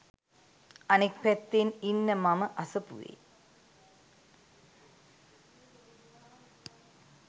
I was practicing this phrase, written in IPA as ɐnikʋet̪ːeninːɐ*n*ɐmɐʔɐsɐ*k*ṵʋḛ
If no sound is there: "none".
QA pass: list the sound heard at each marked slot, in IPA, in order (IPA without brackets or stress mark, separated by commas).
m, p